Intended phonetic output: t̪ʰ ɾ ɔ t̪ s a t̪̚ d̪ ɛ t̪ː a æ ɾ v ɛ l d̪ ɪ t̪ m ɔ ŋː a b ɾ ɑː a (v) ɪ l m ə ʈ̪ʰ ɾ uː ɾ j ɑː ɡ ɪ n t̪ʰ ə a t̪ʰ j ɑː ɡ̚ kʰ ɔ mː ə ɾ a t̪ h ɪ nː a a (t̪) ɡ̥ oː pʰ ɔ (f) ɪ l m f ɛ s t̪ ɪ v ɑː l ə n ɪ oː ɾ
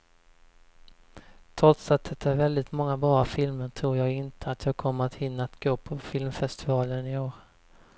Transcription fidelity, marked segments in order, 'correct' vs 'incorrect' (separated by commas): incorrect, correct, correct